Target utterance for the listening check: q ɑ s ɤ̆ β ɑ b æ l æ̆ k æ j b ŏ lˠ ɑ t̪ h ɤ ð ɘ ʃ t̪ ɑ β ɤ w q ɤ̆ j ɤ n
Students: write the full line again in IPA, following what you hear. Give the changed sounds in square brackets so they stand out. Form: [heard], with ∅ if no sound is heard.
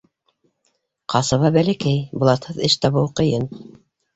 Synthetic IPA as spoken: q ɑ s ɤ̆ β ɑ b æ l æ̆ k æ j b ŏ lˠ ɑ t̪ h ɤ ð ɘ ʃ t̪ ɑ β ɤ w q ɤ̆ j ɤ n